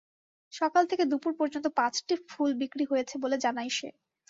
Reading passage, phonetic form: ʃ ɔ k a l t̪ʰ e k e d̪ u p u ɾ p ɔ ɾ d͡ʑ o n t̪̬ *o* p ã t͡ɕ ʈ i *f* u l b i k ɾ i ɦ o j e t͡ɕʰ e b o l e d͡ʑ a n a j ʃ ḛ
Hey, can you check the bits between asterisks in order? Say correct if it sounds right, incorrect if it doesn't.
correct, correct

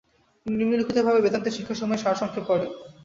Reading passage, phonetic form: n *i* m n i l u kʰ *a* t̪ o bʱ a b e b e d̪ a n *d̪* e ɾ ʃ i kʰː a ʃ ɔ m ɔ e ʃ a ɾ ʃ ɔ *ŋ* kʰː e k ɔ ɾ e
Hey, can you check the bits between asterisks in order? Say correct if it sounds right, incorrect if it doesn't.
correct, incorrect: i, incorrect: t̪, correct

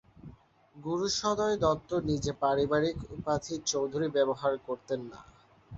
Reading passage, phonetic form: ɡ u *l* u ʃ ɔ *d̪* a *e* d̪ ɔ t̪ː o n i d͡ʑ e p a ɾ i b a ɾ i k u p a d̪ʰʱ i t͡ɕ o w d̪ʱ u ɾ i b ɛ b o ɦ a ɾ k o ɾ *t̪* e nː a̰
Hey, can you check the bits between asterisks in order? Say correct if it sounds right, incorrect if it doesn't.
incorrect: ɾ, correct, correct, correct

